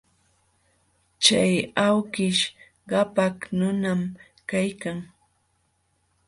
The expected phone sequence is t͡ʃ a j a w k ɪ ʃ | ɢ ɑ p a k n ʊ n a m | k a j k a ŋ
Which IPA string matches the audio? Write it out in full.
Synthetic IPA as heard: t͡ʃ a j a w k ɪ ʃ | ɢ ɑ p a k n ʊ n a m | k a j k a ŋ